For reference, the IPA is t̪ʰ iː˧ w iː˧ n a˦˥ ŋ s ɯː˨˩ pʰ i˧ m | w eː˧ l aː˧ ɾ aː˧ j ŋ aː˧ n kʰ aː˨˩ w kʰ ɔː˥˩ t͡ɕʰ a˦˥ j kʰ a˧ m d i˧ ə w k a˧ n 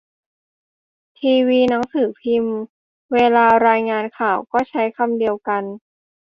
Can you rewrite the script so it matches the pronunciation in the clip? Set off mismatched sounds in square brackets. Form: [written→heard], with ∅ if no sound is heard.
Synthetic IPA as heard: t̪ʰ iː˧ w iː˧ n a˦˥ ŋ s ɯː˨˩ pʰ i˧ m | w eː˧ l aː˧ ɾ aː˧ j ŋ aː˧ n kʰ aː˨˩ w [kʰ→k] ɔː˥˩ t͡ɕʰ a˦˥ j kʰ a˧ m d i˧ ə w k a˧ n